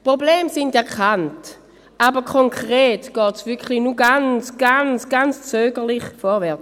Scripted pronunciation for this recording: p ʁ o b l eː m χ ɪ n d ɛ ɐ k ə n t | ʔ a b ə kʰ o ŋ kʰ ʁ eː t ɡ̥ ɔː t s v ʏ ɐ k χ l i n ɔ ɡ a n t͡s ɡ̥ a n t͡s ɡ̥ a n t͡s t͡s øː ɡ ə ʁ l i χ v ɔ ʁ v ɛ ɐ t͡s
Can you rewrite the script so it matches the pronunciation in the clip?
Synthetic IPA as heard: p ʁ o b l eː m s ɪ n d ɛ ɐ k a n t | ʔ a b ə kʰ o ŋ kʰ ʁ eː t ɡ̥ ɔː t s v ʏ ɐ k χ l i n u ɡ a n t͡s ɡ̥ a n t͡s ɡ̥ a n t͡s t͡s øː ɡ ə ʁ l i χ f ɔ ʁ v ɛ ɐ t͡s